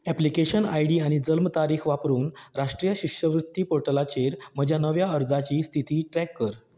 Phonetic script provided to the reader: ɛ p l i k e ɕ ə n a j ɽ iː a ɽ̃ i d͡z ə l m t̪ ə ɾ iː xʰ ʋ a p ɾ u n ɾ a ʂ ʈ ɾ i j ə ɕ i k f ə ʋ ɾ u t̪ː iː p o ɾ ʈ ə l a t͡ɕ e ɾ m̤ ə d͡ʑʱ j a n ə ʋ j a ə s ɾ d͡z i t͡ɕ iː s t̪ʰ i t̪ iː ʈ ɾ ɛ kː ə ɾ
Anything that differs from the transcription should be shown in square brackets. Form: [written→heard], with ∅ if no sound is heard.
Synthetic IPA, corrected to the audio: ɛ p l i k e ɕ ə n a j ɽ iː a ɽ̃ i d͡z ə l m t̪ [ə→a] ɾ iː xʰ ʋ a p ɾ [u→uː] n ɾ a ʂ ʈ ɾ i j ə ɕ i k [f→ʂ] ə ʋ ɾ u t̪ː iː p o ɾ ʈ ə l a t͡ɕ e ɾ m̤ ə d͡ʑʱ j a n ə ʋ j a ə [s→∅] ɾ d͡z [i→a] t͡ɕ iː s t̪ʰ i t̪ iː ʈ ɾ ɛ kː ə ɾ